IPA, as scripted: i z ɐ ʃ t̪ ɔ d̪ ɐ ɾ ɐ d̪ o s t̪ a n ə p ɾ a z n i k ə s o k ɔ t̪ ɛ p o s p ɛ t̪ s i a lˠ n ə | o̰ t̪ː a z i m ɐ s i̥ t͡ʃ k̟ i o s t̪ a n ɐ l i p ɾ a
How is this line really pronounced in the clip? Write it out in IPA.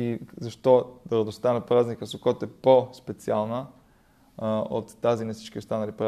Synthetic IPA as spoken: i z ɐ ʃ t̪ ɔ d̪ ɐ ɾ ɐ d̪ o s t̪ a n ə p ɾ a z n i k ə s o k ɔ t̪ ɛ p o s p ɛ t̪ s i a lˠ n ə | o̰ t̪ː a z i n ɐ s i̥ t͡ʃ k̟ i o s t̪ a n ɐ l i p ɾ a